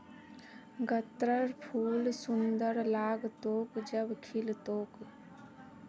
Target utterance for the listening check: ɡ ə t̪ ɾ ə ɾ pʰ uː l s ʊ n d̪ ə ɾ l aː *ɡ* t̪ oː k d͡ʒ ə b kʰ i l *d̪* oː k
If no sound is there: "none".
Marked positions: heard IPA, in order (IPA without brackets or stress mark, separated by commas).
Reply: ɡ, t̪